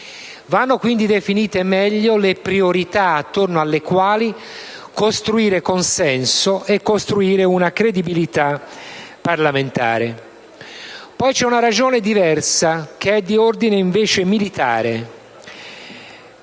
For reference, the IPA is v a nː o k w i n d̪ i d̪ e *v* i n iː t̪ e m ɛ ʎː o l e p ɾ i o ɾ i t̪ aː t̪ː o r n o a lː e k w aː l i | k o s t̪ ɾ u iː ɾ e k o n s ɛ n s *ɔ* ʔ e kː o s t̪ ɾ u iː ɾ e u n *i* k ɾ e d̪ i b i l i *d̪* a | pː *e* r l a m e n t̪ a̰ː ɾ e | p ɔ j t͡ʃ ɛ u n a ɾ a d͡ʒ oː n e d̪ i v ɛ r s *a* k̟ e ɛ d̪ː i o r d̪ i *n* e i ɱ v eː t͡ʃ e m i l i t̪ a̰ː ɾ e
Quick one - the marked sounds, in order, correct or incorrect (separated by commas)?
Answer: incorrect, incorrect, incorrect, incorrect, incorrect, correct, correct